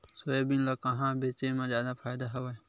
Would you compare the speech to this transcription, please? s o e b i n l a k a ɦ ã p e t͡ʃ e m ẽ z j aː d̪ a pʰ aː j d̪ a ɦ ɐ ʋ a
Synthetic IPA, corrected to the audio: s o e b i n l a k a ɦ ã b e t͡ʃ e m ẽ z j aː d̪ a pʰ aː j d̪ a ɦ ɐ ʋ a